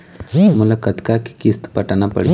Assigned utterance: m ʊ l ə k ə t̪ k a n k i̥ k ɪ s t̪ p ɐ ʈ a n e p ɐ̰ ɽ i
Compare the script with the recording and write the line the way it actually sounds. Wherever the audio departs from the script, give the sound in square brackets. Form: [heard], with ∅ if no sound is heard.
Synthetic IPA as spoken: m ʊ l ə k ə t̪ k a [∅] k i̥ k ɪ s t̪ p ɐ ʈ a n [a] p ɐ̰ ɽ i